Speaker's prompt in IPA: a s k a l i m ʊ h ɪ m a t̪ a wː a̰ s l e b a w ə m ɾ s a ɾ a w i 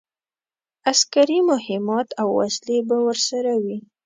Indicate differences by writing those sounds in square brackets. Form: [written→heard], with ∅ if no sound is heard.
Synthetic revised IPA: a s k a [l→ɾ] i m ʊ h ɪ m [a→ɑ] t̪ a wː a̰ s l e b a w ə [m→∅] ɾ s a ɾ a w i